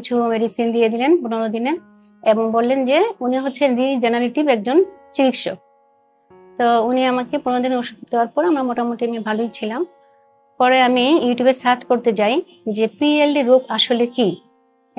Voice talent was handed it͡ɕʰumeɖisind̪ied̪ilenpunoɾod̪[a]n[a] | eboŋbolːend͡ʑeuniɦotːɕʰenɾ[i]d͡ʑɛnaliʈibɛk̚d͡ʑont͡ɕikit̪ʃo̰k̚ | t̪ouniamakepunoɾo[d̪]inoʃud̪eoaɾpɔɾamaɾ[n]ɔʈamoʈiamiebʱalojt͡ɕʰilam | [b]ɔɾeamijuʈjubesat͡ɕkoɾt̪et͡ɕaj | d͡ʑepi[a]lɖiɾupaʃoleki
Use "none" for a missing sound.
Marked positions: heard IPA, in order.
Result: i, e, i, d̪, m, p, e

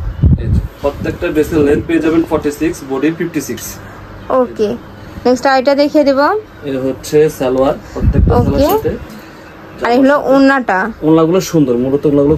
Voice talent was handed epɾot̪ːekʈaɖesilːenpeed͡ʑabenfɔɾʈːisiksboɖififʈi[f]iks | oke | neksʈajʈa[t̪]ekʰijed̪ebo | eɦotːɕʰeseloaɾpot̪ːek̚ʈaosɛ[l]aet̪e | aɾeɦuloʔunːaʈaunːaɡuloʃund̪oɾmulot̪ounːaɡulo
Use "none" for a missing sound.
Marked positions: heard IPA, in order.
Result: s, d̪, l

